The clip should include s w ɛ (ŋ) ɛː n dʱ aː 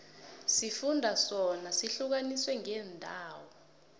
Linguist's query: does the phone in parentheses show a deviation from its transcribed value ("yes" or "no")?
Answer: no